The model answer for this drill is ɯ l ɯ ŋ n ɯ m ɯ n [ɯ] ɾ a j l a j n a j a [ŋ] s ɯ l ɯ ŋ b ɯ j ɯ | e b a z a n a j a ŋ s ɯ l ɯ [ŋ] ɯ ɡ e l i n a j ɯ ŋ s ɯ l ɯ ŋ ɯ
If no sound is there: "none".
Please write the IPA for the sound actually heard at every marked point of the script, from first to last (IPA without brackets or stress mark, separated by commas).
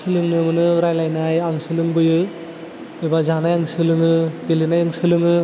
ɯ, ŋ, ŋ